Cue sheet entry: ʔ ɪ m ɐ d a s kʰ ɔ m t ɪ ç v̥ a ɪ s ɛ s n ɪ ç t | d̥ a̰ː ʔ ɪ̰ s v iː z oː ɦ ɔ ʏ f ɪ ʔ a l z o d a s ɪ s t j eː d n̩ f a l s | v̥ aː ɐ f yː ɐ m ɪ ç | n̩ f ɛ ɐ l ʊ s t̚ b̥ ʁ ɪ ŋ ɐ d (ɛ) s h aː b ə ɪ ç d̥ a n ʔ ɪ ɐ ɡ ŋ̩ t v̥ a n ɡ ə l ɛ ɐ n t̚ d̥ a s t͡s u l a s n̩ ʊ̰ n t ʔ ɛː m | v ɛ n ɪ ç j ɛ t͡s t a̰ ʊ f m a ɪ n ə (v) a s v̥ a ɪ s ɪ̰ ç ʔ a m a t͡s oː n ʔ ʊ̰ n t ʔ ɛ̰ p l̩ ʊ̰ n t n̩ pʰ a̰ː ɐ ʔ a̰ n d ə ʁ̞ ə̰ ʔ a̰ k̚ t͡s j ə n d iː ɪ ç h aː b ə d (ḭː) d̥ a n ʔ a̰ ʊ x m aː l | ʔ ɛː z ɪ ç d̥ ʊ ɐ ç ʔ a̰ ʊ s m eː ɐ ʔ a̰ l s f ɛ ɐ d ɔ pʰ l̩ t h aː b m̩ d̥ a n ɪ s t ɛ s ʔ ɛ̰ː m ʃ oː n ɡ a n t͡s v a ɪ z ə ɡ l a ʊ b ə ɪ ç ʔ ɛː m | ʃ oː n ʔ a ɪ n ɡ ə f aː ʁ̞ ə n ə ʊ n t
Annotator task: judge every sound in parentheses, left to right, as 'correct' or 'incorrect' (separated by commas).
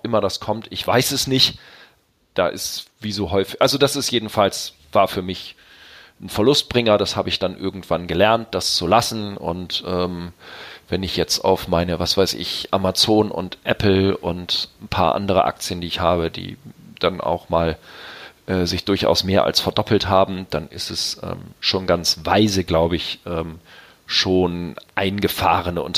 incorrect, correct, correct